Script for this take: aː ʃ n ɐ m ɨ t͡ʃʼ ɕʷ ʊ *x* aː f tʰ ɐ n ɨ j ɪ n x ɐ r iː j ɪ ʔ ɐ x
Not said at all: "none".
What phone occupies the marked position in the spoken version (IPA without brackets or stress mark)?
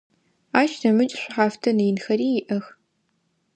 ħ